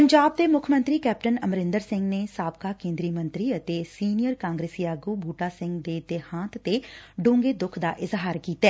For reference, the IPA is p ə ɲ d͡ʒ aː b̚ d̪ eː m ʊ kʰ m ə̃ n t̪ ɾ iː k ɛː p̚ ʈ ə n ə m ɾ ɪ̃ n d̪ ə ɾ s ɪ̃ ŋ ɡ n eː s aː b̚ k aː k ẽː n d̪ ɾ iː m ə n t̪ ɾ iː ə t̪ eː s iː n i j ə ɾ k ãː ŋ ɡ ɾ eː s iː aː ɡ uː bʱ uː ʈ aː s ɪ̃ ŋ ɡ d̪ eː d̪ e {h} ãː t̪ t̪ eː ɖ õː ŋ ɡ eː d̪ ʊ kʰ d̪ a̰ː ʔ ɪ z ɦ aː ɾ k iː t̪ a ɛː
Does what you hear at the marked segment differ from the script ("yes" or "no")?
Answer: no